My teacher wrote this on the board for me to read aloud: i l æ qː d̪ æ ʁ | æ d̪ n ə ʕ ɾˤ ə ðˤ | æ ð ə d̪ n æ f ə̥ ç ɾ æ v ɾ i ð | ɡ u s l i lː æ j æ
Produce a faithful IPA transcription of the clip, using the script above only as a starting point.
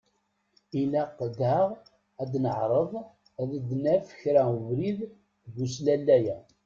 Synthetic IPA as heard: i l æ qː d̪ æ ʁ | æ d̪ n ə ʕ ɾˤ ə ðˤ | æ ð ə d̪ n æ f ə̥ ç ɾ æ v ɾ i ð | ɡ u s l æ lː æ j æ